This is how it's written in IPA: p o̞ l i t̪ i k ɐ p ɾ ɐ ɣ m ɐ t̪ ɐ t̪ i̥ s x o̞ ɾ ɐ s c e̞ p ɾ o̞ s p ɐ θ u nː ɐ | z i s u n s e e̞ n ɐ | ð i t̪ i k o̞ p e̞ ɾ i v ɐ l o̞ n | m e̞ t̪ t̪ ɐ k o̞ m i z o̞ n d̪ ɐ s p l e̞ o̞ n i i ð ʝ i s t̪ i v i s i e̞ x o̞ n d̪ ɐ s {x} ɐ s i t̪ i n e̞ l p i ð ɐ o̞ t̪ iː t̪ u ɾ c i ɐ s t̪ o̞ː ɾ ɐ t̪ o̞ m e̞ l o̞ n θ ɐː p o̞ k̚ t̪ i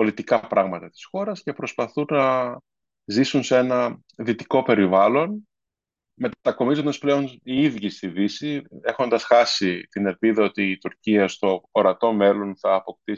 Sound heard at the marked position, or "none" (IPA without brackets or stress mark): x